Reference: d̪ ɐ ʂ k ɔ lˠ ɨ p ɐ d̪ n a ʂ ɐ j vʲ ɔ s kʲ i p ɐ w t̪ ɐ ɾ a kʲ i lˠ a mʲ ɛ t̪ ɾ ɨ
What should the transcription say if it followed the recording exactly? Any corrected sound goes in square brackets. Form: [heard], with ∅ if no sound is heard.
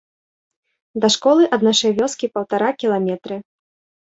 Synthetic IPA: d̪ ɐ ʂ k ɔ lˠ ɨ [ʔ] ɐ d̪ n a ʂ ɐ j vʲ ɔ s kʲ i p ɐ w t̪ [a] ɾ a kʲ i lˠ a mʲ ɛ t̪ ɾ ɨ

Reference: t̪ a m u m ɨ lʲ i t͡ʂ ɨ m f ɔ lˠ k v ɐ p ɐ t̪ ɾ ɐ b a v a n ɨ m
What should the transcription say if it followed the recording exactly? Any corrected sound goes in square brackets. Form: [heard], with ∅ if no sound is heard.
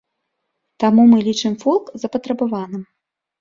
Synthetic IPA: t̪ a m u m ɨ lʲ i t͡ʂ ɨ m f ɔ lˠ k [z] ɐ p ɐ t̪ ɾ ɐ b a v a n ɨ m

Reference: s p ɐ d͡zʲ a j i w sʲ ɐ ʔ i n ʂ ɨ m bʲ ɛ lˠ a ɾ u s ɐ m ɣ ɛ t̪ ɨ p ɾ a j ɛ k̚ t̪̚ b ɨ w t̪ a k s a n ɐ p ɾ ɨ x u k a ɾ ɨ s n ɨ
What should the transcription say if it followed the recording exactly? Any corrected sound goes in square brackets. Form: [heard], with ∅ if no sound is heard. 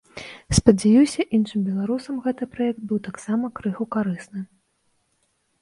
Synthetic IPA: s p ɐ d͡zʲ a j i w sʲ ɐ ʔ i n ʂ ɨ m bʲ ɛ lˠ a ɾ u s ɐ m ɣ ɛ t̪ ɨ p ɾ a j ɛ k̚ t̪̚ b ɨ w t̪ a k s a [m] ɐ [k] ɾ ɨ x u k a ɾ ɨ s n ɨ

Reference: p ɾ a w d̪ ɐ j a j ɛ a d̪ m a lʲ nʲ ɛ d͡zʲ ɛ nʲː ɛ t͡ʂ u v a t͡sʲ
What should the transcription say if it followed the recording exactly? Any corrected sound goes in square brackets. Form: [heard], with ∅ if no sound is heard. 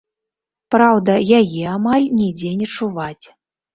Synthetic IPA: p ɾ a w d̪ ɐ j a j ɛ a [∅] m a lʲ nʲ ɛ d͡zʲ ɛ [nʲ] ɛ t͡ʂ u v a t͡sʲ

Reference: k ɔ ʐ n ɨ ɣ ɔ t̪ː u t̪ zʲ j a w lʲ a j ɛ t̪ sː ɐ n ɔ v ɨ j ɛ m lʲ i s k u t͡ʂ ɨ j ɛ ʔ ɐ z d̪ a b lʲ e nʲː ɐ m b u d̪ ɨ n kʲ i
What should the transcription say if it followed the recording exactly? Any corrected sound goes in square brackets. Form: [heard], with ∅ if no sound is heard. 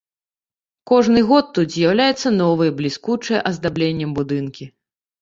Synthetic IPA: k ɔ ʐ n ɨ ɣ ɔ t̪ː u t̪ zʲ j a w lʲ a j ɛ t̪ sː ɐ n ɔ v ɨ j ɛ [b] lʲ i s k u t͡ʂ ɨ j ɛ ʔ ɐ z d̪ a b lʲ e nʲː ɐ m b u d̪ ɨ n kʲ i

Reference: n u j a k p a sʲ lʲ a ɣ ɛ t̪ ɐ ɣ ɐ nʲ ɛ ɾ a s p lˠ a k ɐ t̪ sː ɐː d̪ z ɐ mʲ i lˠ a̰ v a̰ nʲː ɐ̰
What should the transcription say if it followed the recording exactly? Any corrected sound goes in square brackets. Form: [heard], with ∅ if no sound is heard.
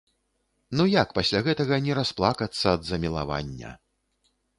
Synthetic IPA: n u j a k p a sʲ lʲ a ɣ ɛ t̪ ɐ ɣ ɐ nʲ ɛ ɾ a s p lˠ a k ɐ t̪ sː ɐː d̪ z ɐ mʲ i lˠ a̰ v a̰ nʲː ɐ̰

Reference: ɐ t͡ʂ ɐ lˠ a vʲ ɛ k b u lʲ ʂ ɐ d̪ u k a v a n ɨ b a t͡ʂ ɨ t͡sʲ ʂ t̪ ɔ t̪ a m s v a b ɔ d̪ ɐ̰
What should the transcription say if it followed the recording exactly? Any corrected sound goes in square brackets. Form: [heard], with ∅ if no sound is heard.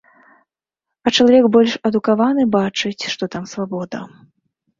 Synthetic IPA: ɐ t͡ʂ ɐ lˠ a vʲ ɛ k b [ɔ] lʲ ʂ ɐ d̪ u k a v a n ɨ b a t͡ʂ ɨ t͡sʲ ʂ t̪ ɔ t̪ a m s v a b ɔ d̪ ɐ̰

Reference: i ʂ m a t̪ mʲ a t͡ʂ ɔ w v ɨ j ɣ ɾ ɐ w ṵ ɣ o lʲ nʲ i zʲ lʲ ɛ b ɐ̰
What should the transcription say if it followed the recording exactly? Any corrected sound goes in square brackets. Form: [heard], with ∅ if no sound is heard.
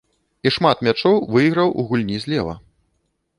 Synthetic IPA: i ʂ m a t̪ mʲ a t͡ʂ ɔ w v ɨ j ɣ ɾ ɐ w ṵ ɣ [u] lʲ nʲ i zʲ lʲ ɛ [v] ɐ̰

